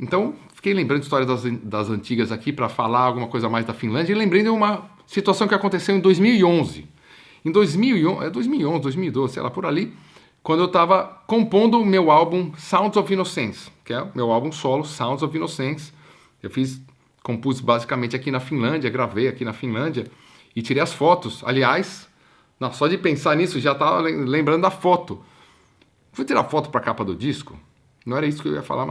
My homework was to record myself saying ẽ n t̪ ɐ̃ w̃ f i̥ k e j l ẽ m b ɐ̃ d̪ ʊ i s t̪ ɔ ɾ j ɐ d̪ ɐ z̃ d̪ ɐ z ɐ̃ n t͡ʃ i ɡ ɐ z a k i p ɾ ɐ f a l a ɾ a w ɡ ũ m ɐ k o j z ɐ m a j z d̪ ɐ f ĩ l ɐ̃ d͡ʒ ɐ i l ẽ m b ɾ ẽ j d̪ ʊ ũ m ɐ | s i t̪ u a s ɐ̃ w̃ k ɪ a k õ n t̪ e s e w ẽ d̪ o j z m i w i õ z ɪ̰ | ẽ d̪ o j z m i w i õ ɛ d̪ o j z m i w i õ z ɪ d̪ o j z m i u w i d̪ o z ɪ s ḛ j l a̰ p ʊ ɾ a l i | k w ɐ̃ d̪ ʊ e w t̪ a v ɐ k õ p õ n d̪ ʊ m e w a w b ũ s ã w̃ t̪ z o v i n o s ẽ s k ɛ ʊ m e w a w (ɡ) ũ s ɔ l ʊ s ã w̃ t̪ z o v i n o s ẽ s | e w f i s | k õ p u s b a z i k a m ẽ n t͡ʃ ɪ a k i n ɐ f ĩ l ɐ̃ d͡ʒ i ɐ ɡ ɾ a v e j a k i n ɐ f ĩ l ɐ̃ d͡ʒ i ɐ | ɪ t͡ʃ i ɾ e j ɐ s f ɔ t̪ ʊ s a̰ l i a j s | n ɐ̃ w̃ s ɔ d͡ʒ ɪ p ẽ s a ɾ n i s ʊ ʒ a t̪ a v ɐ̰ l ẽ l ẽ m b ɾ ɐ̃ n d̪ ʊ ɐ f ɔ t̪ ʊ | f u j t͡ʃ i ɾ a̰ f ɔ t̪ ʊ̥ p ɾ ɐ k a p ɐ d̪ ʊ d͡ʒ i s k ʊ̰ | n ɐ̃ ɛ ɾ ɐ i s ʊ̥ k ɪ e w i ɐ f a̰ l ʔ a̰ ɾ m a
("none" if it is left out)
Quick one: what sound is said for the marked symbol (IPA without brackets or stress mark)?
b